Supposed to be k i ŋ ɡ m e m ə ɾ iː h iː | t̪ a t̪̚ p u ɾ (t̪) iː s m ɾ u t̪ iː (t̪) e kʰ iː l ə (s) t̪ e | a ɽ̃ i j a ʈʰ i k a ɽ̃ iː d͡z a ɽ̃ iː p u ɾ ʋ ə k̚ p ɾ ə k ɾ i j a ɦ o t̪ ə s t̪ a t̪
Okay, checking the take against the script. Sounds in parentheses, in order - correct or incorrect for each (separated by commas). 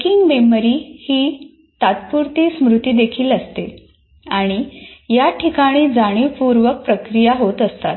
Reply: correct, incorrect, correct